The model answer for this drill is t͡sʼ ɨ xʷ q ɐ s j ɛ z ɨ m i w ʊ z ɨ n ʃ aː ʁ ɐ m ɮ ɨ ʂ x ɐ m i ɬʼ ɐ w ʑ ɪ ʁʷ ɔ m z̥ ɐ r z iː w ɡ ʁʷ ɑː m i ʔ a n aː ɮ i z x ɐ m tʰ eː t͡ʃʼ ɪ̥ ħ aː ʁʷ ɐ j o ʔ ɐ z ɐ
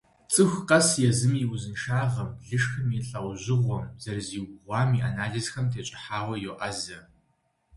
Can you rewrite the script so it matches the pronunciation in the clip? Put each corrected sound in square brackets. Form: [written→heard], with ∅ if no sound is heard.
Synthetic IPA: t͡sʼ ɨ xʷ q ɐ s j ɛ z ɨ m i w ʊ z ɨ n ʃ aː ʁ ɐ m ɮ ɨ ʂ x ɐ m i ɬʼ ɐ w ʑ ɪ ʁʷ ɔ m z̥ ɐ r z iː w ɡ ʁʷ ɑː m i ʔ a n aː ɮ i z x ɐ m tʰ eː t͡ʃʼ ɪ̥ ħ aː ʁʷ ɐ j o ʔ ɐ z ɐ